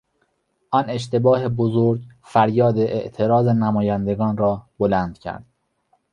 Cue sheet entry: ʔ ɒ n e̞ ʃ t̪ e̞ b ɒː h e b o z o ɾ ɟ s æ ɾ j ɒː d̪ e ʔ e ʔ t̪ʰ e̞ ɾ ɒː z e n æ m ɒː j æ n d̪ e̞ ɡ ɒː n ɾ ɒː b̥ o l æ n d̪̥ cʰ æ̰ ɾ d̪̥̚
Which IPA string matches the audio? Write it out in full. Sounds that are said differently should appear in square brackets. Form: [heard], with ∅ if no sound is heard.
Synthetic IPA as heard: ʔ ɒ n e̞ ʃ t̪ e̞ b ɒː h e b o z o ɾ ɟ [f] æ ɾ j ɒː d̪ e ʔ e ʔ t̪ʰ e̞ ɾ ɒː z e n æ m ɒː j æ n d̪ e̞ ɡ ɒː n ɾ ɒː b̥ o l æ n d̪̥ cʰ æ̰ ɾ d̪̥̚